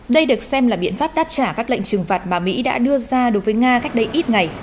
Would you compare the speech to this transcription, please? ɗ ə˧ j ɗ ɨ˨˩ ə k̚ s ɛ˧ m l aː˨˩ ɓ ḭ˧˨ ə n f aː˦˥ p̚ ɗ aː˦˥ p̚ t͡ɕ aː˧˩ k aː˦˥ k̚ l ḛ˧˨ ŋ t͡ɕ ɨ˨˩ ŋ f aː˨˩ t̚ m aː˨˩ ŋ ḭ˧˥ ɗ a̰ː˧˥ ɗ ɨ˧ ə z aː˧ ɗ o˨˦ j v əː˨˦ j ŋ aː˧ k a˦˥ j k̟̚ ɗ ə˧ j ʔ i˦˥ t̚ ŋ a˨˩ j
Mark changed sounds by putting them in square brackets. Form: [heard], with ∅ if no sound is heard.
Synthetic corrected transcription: ɗ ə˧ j ɗ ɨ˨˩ ə k̚ s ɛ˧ m l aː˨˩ ɓ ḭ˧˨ ə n f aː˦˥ p̚ ɗ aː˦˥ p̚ t͡ɕ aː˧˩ k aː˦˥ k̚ l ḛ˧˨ ŋ t͡ɕ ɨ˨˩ ŋ f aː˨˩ t̚ m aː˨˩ [m] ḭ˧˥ ɗ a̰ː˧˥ ɗ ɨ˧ ə z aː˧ ɗ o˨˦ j v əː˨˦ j ŋ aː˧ k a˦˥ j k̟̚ ɗ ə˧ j ʔ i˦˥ t̚ ŋ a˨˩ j